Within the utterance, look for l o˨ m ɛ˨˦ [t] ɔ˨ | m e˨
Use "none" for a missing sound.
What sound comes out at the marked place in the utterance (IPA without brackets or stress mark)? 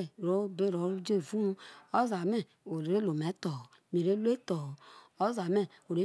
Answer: t